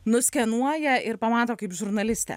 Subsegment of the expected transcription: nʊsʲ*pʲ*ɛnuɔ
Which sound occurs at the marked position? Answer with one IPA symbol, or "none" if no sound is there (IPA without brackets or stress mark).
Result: kʲ